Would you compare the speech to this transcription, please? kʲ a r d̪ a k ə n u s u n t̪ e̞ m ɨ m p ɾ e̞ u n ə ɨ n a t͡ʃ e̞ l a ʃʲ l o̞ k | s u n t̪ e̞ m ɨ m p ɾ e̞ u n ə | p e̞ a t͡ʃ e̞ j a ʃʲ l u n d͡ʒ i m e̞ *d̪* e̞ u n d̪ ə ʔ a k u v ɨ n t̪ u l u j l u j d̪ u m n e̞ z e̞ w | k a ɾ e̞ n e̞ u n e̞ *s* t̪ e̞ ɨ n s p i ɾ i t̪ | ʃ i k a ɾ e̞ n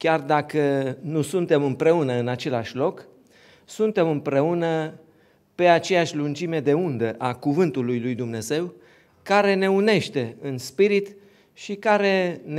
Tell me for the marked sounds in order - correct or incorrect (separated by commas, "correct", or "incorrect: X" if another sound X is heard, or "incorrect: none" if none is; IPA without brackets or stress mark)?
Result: correct, incorrect: ʃ